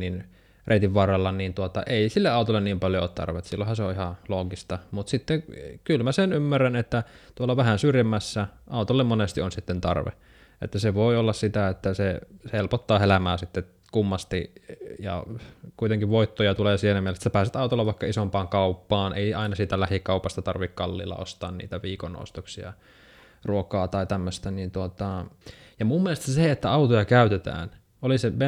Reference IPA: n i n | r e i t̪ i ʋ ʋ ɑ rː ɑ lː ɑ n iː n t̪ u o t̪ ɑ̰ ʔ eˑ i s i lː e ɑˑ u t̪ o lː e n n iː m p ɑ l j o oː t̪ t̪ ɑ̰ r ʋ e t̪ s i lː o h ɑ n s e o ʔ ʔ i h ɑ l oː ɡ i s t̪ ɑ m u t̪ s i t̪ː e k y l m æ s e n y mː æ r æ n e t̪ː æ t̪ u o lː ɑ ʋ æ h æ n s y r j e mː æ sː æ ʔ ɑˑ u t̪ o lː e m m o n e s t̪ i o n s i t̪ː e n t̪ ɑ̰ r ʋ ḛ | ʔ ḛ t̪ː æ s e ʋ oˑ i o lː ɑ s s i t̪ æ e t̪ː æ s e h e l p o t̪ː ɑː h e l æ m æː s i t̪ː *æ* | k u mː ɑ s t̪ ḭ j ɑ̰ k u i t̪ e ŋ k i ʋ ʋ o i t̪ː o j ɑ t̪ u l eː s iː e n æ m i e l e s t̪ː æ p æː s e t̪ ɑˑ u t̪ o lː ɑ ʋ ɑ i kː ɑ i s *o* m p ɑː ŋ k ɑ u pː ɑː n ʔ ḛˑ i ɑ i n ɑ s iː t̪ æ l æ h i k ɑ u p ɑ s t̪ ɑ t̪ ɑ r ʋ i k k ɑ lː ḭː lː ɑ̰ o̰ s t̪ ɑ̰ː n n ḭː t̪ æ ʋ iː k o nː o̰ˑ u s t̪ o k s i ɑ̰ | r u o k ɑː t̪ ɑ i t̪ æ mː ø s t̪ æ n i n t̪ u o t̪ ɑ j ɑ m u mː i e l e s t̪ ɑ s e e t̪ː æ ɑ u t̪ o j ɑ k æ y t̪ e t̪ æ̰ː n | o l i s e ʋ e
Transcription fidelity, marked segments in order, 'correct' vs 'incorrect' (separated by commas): incorrect, correct